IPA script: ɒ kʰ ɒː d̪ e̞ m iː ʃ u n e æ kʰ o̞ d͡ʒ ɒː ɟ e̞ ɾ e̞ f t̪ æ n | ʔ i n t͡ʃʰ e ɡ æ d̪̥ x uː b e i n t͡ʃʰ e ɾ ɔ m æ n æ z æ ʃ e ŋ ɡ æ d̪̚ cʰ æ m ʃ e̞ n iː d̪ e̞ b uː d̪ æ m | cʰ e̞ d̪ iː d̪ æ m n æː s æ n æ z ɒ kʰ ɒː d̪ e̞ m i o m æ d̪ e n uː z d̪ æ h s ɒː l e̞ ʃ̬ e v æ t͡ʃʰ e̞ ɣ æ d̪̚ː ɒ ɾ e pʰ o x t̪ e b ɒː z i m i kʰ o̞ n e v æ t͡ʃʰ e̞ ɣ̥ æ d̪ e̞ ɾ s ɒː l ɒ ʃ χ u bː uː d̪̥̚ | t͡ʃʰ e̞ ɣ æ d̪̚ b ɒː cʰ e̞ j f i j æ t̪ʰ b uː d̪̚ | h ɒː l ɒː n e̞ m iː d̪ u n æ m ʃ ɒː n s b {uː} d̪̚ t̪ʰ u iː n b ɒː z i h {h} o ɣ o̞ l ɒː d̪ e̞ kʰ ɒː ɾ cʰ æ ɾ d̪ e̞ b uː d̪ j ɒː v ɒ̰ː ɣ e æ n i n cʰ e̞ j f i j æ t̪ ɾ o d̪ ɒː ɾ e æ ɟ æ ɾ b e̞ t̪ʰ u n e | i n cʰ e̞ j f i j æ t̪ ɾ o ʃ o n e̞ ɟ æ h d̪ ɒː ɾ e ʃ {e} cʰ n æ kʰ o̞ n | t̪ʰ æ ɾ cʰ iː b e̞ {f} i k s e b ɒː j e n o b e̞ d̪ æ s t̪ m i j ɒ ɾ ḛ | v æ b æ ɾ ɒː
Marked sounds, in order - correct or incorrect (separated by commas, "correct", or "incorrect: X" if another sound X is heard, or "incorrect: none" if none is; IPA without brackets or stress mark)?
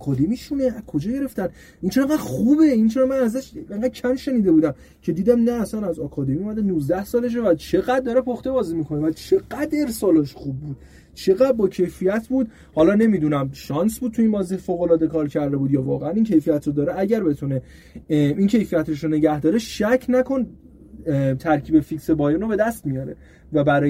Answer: incorrect: u, incorrect: f, incorrect: æ, correct